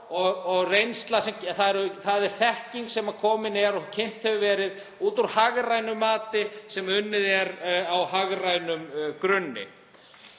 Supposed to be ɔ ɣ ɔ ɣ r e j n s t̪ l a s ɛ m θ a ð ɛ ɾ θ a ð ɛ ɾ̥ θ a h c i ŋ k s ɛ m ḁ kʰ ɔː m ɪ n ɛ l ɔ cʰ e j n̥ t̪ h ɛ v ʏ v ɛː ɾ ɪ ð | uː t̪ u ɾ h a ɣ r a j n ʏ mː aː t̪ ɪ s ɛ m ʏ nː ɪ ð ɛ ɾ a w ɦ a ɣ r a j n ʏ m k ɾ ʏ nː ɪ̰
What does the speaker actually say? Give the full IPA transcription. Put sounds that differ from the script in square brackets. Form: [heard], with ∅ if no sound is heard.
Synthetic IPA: ɔ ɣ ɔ ɣ r e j n s t̪ l a s ɛ m θ a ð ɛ ɾ θ a ð ɛ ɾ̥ θ [ɛ] h c i ŋ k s ɛ m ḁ kʰ ɔː m ɪ n ɛ [ɾ] ɔ cʰ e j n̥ t̪ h ɛ v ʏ v ɛː ɾ ɪ ð | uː t̪ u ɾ h a ɣ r a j n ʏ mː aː t̪ ɪ s ɛ m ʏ nː ɪ ð ɛ ɾ a w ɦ a ɣ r a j n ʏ m k ɾ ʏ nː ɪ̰